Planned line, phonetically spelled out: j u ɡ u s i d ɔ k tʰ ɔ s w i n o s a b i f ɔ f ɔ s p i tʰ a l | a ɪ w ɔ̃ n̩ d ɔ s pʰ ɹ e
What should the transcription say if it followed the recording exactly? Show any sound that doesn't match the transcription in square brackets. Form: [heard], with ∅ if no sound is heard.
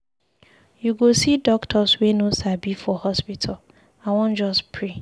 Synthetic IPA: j u ɡ [o] s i d ɔ k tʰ ɔ s w [e] n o s a b i f ɔ [h] ɔ s p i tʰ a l | a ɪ w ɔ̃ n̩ [d͡ʒ] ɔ s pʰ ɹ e